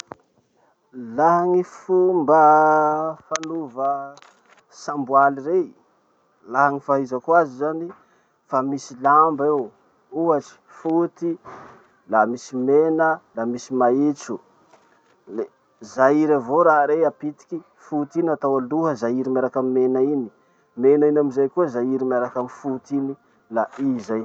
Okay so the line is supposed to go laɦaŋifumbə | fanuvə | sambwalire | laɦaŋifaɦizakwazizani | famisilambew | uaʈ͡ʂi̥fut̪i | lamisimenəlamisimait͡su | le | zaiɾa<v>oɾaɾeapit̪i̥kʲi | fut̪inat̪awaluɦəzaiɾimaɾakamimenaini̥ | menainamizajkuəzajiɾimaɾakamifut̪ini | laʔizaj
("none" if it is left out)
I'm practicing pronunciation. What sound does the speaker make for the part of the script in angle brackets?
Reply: v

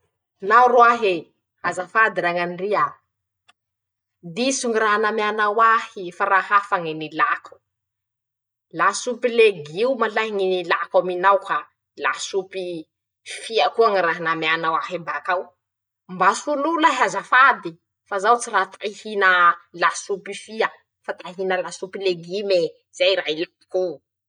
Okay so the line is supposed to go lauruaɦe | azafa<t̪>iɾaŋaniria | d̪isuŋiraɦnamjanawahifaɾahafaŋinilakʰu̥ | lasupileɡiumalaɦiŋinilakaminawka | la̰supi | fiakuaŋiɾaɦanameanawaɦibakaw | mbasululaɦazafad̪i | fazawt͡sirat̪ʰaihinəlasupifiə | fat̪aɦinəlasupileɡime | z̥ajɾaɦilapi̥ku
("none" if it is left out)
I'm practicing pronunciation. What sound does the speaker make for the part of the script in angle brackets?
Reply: d̪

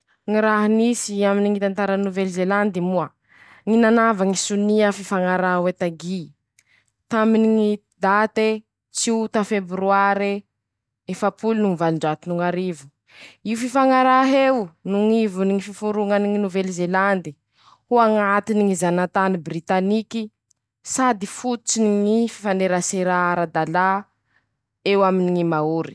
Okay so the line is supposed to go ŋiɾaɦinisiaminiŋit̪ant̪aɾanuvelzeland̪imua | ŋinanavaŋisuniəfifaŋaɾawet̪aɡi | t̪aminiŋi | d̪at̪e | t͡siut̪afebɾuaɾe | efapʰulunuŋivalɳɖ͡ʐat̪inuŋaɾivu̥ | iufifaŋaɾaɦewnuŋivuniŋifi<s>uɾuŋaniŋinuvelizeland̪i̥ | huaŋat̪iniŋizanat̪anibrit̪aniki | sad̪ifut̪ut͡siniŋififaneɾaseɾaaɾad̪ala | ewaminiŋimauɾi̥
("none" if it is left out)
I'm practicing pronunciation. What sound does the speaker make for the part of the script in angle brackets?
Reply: f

